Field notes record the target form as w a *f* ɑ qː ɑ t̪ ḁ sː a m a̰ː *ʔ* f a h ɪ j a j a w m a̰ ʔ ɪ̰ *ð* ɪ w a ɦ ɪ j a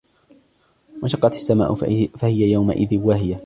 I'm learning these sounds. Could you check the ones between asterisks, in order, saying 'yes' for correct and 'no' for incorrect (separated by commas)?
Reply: no, yes, yes